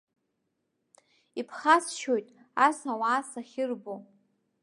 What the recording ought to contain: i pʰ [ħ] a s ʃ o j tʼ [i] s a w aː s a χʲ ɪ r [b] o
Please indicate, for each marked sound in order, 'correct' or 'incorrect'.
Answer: incorrect, incorrect, correct

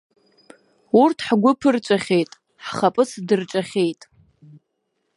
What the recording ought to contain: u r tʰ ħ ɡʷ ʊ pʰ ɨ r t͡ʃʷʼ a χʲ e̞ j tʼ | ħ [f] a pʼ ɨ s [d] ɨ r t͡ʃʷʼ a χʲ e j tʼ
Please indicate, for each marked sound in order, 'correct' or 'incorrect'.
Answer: incorrect, correct

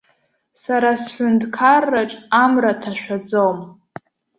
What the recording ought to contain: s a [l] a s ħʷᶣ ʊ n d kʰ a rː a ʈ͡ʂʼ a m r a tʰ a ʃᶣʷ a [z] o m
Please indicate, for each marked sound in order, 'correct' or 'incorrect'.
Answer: incorrect, incorrect

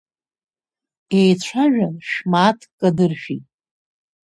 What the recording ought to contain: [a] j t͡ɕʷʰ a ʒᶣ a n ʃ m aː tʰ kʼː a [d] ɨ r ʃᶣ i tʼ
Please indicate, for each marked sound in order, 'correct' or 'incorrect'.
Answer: incorrect, correct

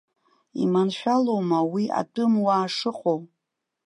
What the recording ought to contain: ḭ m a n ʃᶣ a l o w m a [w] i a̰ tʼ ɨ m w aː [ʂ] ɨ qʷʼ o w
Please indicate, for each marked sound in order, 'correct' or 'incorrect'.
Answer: correct, correct

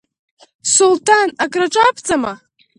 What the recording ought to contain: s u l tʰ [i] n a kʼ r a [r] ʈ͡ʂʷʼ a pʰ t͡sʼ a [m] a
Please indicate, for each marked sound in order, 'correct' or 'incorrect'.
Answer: incorrect, incorrect, correct

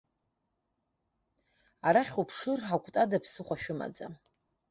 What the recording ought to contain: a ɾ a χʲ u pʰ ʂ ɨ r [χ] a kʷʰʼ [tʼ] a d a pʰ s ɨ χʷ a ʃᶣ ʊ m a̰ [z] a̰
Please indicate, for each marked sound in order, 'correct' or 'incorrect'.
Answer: incorrect, correct, incorrect

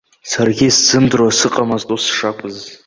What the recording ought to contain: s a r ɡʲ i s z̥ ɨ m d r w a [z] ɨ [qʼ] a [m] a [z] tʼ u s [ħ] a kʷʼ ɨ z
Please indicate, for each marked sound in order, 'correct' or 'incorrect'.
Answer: incorrect, correct, correct, correct, incorrect

